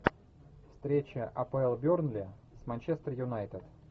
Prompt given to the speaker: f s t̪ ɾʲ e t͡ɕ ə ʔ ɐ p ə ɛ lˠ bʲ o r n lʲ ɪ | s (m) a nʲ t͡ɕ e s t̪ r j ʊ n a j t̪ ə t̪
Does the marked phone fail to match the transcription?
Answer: no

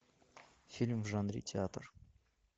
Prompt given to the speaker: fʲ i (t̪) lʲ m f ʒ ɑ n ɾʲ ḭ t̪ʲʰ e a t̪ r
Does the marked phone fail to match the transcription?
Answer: yes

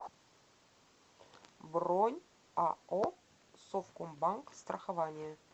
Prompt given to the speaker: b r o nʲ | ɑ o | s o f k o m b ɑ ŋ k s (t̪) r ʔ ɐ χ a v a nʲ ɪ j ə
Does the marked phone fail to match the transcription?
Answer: no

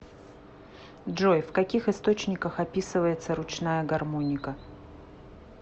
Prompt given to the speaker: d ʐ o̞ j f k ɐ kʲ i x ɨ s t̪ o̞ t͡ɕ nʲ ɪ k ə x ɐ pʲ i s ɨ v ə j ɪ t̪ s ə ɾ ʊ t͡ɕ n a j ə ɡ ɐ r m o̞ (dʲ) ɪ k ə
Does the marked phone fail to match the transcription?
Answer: yes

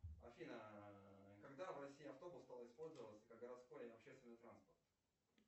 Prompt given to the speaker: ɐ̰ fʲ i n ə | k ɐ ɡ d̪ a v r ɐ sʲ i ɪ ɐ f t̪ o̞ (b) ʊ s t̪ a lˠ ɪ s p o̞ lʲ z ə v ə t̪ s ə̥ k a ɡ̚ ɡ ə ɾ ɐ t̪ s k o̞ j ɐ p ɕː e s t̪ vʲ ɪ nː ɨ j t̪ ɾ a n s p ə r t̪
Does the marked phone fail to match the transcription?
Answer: no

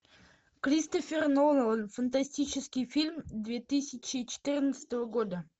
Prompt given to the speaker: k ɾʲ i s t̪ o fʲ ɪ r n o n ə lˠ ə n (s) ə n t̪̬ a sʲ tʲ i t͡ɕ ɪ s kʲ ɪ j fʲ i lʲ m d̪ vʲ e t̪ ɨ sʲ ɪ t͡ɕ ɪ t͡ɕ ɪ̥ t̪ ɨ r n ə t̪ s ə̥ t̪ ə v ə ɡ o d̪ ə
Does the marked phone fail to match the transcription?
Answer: yes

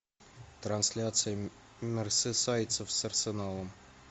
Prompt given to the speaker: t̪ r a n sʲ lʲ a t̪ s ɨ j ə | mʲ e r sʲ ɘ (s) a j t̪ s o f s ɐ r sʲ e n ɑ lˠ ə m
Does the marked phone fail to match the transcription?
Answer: no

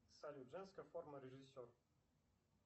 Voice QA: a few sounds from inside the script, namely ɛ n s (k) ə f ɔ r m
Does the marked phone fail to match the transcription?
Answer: no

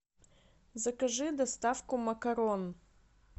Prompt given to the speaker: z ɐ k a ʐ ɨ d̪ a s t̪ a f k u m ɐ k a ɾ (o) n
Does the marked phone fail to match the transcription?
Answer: no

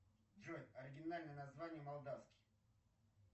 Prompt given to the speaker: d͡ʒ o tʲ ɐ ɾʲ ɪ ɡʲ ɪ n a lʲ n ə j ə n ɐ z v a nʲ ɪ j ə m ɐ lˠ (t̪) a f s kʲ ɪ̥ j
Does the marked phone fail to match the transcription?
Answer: yes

